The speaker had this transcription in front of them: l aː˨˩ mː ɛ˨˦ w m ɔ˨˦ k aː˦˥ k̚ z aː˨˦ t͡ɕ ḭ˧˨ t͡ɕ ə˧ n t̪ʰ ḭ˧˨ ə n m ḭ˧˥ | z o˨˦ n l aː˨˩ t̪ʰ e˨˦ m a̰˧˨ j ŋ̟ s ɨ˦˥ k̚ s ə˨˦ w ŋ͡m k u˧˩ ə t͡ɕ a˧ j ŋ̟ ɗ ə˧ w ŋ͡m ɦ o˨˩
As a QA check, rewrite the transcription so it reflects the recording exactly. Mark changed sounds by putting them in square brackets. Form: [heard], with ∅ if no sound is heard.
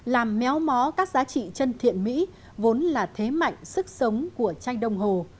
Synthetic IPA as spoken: l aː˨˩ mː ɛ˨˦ w m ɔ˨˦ k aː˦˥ k̚ z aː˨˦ t͡ɕ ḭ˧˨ t͡ɕ ə˧ n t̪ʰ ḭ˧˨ ə n m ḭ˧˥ | [v] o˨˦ n l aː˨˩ t̪ʰ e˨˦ m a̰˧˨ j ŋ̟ s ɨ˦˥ k̚ s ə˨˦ w ŋ͡m k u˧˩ ə t͡ɕ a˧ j ŋ̟ ɗ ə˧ w ŋ͡m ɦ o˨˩

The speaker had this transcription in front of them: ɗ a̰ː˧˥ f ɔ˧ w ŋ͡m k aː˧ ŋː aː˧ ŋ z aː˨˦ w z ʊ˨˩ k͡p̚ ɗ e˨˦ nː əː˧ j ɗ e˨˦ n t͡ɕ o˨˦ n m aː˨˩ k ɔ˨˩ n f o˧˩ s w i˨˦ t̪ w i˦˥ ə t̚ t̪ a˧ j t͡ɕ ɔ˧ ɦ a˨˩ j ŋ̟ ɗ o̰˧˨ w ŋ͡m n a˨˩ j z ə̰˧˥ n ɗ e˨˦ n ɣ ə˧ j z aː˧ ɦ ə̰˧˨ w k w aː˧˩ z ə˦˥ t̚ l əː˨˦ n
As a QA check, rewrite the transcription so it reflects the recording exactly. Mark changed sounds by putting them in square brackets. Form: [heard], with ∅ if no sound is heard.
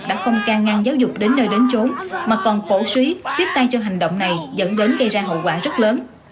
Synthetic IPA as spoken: ɗ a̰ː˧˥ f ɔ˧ w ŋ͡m k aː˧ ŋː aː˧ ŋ z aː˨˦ w z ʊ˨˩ k͡p̚ ɗ e˨˦ nː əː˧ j ɗ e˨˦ n t͡ɕ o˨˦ n m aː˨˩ k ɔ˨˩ n f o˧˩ s w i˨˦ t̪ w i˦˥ ə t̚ t̪ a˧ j t͡ɕ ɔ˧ ɦ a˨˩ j ŋ̟ ɗ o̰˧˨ w ŋ͡m n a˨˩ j z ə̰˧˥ n ɗ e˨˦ n ɣ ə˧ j z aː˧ ɦ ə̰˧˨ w k w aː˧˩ z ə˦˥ t̚ l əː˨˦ n

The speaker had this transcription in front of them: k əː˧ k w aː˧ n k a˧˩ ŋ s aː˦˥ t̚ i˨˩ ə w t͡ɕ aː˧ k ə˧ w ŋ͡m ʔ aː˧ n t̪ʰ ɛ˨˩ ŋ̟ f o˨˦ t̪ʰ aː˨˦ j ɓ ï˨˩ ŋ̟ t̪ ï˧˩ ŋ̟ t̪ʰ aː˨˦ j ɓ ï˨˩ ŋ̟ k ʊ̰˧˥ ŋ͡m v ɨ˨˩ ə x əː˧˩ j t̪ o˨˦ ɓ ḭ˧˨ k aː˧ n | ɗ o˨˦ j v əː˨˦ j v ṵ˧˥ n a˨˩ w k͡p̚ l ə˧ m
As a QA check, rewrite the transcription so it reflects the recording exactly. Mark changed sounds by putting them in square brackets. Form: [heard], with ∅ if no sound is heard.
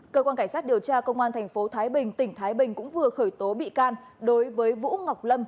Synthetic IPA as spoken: k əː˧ k w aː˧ n k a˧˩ ŋ s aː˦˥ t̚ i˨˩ ə w t͡ɕ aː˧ k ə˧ w ŋ͡m ʔ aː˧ n t̪ʰ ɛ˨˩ ŋ̟ f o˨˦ t̪ʰ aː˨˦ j ɓ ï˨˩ ŋ̟ t̪ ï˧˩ ŋ̟ t̪ʰ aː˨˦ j ɓ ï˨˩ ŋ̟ k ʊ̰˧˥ ŋ͡m v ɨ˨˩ ə x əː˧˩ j t̪ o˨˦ ɓ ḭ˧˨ k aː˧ n | ɗ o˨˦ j v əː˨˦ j v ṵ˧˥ [ŋ] a˨˩ w k͡p̚ l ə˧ m

